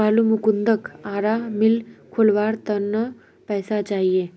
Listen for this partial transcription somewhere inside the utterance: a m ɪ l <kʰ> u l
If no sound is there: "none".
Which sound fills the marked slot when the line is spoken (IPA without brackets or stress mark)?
kʰ